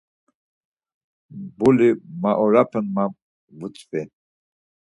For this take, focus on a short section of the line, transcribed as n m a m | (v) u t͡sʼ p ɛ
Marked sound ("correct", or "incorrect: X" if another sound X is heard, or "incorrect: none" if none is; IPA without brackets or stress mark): correct